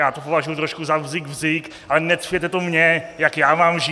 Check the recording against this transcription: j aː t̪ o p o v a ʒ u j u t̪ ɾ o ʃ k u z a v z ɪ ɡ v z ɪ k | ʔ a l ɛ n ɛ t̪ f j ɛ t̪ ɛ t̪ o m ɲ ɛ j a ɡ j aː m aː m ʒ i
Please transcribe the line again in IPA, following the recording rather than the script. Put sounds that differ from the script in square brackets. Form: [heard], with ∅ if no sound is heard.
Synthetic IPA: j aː t̪ o p o v a ʒ u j u t̪ ɾ o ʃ k u z a v z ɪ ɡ v z ɪ k | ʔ a l ɛ n ɛ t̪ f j ɛ t̪ ɛ t̪ o m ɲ ɛ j a [k] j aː m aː m ʒ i